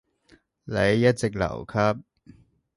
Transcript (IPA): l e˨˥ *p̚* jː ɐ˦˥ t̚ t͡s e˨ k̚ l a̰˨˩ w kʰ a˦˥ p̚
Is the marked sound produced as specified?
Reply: no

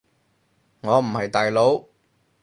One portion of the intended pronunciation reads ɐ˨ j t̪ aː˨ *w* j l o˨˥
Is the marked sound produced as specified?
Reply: no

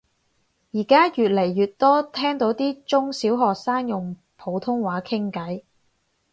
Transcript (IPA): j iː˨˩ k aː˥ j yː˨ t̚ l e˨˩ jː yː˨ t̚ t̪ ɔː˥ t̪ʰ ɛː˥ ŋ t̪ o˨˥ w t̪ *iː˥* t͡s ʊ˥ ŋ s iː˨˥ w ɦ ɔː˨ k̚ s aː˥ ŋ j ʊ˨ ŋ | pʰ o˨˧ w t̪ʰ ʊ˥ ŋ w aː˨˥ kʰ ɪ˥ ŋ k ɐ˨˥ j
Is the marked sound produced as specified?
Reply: yes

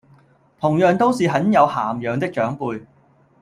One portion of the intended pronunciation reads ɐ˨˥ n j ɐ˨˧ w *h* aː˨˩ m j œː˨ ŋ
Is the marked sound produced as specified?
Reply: yes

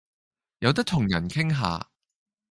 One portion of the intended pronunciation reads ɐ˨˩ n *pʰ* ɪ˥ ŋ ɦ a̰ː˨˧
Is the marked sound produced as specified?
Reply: no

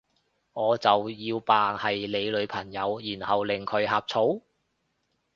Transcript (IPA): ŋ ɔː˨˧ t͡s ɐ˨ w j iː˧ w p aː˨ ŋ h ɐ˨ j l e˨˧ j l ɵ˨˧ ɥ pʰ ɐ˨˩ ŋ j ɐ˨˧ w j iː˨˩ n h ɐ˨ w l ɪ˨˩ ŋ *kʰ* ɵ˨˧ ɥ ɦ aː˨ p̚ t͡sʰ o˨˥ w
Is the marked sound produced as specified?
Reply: yes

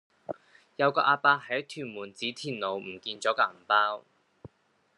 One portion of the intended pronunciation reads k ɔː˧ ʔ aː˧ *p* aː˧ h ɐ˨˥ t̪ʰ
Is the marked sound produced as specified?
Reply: yes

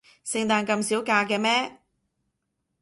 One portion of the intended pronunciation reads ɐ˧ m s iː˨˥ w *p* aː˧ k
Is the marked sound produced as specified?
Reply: no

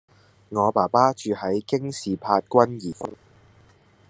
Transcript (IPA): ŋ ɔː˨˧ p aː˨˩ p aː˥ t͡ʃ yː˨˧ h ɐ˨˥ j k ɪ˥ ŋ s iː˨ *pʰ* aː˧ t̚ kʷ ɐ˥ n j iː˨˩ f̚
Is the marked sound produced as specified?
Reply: yes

